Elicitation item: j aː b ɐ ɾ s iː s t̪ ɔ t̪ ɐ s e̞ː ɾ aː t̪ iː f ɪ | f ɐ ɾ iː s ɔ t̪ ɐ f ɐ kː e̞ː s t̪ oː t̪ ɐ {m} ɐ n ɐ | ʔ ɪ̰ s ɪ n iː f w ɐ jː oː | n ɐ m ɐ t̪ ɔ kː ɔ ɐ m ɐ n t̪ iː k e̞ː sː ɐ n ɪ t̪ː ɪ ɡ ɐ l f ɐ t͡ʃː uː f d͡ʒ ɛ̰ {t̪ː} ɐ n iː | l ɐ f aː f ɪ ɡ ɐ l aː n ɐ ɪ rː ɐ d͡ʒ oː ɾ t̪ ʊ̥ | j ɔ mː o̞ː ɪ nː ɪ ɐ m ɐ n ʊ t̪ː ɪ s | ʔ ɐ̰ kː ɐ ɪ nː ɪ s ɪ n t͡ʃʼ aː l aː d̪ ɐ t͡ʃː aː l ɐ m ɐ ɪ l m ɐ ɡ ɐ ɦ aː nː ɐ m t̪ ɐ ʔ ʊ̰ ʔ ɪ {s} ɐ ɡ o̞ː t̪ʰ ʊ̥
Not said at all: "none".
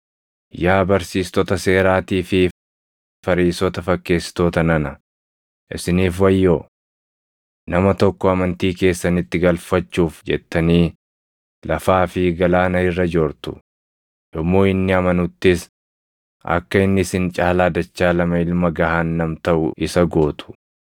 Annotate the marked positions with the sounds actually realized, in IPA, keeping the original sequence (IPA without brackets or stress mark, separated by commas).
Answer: n, t̪ː, s